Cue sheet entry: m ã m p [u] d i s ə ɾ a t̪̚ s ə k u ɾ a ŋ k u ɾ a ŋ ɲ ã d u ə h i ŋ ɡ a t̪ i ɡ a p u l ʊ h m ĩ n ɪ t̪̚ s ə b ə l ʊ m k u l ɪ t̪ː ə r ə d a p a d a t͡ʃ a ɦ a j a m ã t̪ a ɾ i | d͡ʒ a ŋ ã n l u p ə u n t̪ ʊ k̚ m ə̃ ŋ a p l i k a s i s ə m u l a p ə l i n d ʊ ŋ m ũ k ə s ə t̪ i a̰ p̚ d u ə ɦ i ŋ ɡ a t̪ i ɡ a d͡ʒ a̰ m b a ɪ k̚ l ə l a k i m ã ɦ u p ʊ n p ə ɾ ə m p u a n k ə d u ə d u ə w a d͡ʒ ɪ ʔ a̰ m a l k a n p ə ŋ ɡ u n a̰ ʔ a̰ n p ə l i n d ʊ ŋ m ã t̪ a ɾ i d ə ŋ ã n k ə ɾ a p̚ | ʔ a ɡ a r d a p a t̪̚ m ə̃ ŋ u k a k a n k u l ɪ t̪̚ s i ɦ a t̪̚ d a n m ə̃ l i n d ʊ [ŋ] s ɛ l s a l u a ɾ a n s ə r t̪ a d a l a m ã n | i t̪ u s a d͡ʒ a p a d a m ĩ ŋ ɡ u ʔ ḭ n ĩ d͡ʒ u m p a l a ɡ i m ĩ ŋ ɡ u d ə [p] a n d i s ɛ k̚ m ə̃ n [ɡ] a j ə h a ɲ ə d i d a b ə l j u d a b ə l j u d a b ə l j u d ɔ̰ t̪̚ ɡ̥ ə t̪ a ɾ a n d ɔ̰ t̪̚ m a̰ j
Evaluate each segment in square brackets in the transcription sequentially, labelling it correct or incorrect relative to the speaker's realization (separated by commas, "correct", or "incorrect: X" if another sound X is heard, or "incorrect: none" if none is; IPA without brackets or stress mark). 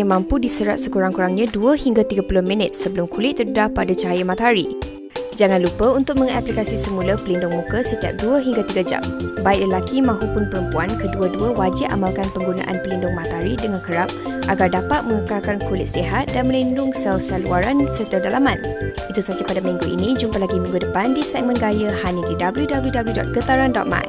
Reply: correct, correct, correct, correct